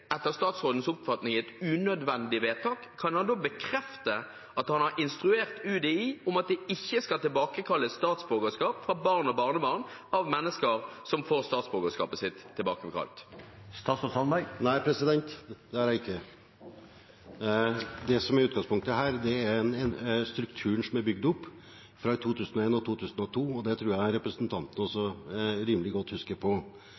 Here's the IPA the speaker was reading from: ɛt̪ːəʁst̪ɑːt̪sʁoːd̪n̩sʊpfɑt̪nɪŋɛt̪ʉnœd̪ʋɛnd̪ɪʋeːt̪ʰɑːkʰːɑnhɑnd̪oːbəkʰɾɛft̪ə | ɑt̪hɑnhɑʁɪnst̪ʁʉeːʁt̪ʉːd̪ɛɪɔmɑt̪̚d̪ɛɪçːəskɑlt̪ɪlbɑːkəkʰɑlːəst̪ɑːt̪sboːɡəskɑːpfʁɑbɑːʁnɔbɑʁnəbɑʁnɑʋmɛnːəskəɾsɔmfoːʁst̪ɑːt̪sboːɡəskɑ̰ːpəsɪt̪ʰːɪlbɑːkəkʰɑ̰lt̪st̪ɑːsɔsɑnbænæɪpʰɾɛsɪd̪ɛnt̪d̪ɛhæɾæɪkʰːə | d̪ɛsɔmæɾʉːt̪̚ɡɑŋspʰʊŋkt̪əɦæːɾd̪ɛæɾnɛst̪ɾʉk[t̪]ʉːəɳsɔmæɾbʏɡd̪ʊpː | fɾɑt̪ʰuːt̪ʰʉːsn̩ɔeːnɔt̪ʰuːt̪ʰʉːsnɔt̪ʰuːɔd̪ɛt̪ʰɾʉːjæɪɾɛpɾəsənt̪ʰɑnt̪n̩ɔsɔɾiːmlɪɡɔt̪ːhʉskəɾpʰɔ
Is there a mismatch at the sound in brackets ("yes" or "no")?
yes